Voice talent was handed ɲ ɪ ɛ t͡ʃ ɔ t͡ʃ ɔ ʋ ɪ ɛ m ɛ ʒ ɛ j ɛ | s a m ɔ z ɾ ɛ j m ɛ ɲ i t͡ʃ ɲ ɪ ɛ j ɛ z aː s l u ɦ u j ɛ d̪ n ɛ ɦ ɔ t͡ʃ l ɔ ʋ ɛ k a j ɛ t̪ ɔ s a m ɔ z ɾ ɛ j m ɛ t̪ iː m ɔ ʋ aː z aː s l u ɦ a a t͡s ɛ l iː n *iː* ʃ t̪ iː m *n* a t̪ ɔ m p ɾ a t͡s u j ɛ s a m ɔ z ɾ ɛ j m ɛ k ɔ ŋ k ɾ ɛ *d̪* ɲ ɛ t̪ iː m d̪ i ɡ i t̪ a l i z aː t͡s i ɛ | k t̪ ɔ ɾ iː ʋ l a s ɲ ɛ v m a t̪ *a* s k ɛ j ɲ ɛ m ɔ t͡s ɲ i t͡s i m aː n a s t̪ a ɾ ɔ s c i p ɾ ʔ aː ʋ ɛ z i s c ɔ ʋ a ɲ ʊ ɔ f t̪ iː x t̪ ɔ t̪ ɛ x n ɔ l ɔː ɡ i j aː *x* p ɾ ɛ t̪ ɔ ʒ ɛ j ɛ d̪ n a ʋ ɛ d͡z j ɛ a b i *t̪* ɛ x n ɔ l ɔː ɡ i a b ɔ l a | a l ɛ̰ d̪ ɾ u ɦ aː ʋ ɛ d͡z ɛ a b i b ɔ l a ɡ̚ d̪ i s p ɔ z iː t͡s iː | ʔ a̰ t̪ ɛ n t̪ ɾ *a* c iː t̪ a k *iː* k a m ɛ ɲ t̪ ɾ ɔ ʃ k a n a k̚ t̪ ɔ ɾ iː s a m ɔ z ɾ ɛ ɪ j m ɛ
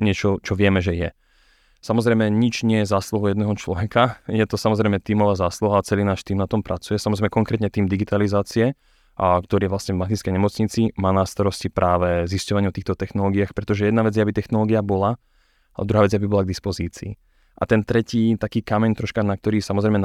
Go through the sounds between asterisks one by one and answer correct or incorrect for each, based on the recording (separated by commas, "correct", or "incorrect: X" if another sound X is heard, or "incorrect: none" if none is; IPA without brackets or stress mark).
incorrect: aː, correct, incorrect: t̪, incorrect: i, correct, correct, incorrect: ɛ, correct